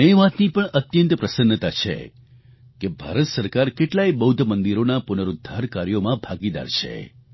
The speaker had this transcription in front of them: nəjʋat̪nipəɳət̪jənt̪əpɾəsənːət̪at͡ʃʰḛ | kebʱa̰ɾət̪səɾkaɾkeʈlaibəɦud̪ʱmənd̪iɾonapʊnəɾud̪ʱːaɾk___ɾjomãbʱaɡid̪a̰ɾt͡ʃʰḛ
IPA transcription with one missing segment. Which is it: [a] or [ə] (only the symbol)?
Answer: a